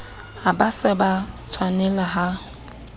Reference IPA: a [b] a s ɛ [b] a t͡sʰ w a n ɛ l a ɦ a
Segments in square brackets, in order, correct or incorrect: correct, correct

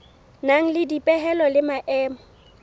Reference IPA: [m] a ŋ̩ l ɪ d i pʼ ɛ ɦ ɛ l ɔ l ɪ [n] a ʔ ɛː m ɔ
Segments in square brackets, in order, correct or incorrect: incorrect, incorrect

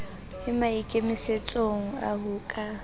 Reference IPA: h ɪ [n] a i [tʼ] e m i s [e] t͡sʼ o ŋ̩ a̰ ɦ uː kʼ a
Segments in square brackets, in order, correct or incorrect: incorrect, incorrect, correct

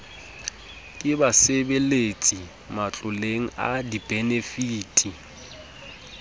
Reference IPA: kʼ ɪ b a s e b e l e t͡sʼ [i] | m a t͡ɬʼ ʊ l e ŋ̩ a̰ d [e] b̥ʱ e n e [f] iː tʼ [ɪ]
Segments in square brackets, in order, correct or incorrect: correct, incorrect, correct, incorrect

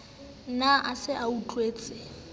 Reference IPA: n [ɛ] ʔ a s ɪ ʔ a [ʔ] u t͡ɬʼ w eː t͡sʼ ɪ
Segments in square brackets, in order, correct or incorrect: incorrect, incorrect

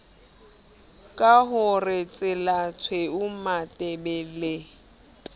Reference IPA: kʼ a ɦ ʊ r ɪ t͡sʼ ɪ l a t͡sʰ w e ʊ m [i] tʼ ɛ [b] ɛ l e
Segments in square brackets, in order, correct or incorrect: incorrect, correct

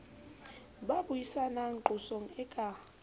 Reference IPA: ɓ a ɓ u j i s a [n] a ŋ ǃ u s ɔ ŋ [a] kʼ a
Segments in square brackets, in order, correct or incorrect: correct, incorrect

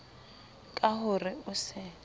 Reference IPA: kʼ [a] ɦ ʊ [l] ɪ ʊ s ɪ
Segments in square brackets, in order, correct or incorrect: correct, incorrect

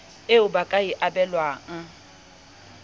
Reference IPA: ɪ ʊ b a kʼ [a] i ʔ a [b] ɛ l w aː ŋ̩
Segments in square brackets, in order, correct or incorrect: correct, correct

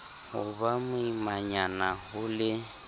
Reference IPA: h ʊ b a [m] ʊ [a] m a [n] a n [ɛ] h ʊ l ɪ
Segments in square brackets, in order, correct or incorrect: correct, incorrect, incorrect, incorrect

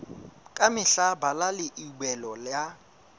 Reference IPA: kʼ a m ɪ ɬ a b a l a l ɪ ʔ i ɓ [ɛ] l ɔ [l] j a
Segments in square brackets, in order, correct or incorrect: correct, correct

